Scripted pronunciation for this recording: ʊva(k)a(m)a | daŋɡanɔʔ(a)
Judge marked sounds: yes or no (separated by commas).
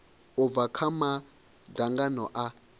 no, yes, yes